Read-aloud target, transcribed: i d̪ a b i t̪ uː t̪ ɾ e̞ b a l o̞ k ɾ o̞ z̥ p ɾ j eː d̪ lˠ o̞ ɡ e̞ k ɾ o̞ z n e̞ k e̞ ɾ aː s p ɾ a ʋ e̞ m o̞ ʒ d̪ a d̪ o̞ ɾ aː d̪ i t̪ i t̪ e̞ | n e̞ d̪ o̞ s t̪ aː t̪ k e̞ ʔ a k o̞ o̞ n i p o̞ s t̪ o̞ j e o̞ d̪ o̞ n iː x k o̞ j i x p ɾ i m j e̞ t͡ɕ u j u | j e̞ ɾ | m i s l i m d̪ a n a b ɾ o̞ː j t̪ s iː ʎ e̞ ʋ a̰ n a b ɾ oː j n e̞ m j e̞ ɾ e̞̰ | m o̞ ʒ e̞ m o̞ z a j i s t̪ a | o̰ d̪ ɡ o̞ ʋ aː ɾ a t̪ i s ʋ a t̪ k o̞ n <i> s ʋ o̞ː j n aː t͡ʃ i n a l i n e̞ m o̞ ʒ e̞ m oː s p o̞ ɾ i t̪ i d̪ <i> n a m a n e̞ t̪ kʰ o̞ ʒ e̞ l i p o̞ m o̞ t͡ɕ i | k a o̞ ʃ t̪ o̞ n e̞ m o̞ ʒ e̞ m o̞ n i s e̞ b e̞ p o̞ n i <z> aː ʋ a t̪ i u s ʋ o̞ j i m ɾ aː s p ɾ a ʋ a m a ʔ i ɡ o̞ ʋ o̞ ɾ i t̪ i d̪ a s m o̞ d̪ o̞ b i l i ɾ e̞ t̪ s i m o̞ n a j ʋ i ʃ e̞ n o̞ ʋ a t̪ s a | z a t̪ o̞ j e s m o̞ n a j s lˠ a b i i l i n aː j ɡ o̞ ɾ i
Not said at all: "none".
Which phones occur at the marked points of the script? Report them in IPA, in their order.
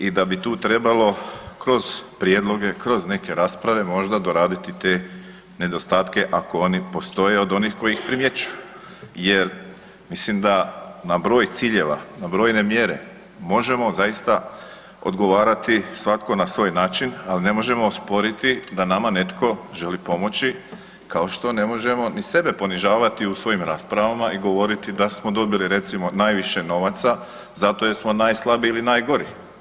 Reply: a, a, ʒ

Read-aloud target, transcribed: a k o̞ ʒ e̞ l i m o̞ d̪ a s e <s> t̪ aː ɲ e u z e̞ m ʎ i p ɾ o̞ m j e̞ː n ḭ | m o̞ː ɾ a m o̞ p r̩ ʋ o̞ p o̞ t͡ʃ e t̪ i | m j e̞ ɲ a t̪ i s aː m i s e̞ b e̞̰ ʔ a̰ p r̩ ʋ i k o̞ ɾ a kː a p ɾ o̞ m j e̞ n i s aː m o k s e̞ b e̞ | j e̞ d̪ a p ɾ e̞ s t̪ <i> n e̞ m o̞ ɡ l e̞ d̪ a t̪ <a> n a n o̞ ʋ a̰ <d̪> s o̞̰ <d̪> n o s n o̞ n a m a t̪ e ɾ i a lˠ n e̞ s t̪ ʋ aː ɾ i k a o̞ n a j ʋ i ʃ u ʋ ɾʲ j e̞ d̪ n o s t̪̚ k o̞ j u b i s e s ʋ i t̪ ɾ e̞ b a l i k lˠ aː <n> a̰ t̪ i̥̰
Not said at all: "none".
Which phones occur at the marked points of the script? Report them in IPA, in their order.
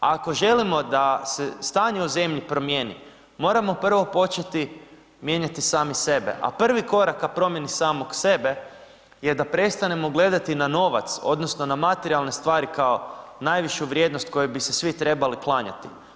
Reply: s, a, i, t̪, d̪, ɲ

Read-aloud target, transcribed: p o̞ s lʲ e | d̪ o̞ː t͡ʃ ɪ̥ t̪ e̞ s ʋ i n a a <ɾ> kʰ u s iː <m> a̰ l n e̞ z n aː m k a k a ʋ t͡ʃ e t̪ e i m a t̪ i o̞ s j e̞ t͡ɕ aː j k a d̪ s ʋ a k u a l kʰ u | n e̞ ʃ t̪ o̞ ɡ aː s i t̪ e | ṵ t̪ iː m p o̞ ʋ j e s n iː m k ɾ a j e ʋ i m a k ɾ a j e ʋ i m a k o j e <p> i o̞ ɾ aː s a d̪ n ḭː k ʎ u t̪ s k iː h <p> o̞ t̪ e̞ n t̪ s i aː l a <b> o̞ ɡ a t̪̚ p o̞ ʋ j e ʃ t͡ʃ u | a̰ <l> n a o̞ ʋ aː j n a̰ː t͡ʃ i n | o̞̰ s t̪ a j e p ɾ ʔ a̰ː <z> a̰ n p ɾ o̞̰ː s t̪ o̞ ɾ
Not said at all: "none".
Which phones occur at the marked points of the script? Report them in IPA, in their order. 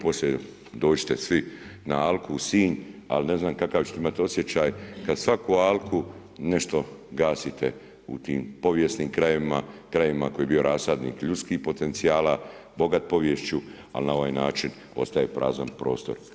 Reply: l, ɲ, b, p, b, l, z

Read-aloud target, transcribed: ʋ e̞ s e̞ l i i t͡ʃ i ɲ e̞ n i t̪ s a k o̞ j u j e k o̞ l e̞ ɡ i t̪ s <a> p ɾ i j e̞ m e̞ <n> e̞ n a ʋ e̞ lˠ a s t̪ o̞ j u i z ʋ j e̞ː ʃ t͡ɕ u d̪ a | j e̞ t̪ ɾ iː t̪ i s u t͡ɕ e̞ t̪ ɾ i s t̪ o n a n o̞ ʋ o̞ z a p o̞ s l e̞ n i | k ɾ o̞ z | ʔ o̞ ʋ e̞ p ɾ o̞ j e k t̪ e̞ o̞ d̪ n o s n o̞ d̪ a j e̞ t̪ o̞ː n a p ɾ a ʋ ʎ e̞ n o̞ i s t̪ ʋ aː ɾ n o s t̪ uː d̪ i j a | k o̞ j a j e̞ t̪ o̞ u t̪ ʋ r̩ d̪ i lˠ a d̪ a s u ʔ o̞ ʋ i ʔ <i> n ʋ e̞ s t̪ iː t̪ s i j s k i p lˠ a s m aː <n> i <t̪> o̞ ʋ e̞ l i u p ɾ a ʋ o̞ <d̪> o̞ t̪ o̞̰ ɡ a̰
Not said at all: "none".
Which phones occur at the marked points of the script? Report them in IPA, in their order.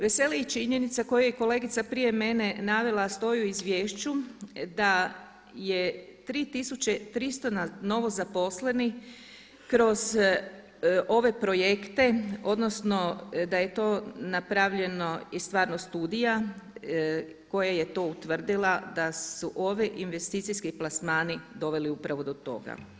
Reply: a, n, i, n, d̪, d̪

